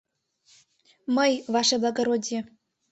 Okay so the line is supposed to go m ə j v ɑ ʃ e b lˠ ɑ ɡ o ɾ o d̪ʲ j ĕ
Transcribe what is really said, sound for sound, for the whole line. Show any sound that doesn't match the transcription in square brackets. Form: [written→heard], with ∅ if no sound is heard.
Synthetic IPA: m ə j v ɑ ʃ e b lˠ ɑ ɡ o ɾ o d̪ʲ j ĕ